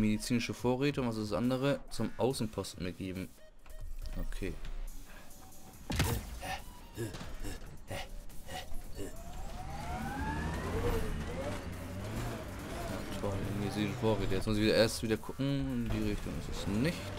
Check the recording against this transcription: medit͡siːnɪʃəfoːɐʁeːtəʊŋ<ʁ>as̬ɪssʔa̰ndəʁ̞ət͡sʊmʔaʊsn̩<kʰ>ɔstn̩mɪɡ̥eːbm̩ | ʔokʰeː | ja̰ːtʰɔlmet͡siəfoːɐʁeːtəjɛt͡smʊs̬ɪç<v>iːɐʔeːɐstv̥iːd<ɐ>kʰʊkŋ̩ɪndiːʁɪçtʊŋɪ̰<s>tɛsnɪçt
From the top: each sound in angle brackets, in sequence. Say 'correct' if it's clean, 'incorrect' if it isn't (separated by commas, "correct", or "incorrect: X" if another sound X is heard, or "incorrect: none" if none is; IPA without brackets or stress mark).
incorrect: v, incorrect: pʰ, correct, correct, correct